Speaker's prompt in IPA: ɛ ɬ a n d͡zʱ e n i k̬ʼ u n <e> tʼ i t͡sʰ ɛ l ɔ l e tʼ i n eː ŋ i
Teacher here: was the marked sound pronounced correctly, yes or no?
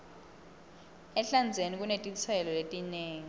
yes